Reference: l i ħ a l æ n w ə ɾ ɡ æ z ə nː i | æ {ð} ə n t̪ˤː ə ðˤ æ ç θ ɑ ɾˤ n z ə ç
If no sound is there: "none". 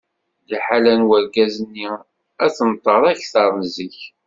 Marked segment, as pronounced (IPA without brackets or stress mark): θ